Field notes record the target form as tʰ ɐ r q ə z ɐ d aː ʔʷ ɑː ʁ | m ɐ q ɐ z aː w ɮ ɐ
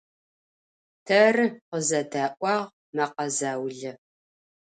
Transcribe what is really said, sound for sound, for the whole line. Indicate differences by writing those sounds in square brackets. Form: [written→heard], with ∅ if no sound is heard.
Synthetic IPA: tʰ ɐ r q ə z ɐ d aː ʔʷ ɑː ʁ | m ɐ q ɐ z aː w ɮ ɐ